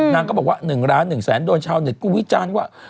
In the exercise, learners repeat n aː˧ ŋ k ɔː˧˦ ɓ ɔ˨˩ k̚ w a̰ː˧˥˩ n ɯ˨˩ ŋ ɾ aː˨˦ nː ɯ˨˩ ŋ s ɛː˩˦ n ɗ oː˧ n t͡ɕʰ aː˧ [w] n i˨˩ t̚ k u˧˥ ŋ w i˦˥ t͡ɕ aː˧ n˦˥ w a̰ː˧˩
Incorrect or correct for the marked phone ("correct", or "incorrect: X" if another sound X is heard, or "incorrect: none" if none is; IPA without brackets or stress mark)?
correct